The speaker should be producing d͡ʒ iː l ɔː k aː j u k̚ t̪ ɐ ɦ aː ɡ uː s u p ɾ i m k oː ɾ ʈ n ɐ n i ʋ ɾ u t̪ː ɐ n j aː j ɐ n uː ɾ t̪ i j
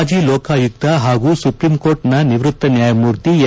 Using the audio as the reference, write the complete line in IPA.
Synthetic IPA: d͡ʒ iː l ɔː k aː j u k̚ t̪ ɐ ɦ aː ɡ uː s u p ɾ i m k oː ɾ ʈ n ɐ n i ʋ ɾ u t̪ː ɐ n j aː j ɐ m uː ɾ t̪ i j